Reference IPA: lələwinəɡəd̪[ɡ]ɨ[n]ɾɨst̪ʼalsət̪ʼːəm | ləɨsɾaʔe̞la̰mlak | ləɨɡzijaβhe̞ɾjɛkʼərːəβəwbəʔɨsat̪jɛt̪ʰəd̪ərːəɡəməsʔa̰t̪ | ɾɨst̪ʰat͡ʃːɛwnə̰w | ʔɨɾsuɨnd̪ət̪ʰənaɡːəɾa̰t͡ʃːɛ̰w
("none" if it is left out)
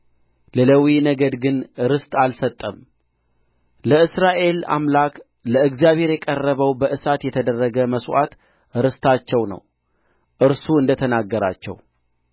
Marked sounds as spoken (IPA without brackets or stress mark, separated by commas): ɡ, n